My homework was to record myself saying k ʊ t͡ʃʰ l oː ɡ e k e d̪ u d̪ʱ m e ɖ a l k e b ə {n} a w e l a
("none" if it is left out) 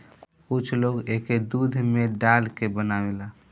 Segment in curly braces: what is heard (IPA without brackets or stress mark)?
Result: n